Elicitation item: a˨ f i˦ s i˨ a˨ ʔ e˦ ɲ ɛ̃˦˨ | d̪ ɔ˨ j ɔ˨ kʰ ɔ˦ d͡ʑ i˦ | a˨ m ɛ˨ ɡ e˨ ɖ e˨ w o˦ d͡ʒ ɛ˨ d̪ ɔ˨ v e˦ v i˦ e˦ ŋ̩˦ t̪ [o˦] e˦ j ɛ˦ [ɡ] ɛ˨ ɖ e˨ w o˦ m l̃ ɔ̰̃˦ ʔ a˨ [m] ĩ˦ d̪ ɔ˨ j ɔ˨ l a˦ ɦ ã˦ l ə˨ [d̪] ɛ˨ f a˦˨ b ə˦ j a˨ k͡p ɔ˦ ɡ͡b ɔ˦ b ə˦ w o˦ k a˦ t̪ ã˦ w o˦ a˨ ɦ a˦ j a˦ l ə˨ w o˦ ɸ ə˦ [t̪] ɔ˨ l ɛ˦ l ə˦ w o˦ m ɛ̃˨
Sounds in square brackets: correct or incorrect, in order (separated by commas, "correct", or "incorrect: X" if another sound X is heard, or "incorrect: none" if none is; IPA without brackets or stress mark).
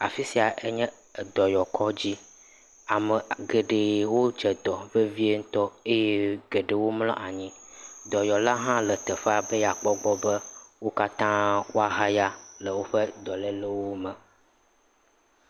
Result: incorrect: ɔ˦, correct, incorrect: ɲ, incorrect: t̪, incorrect: d̪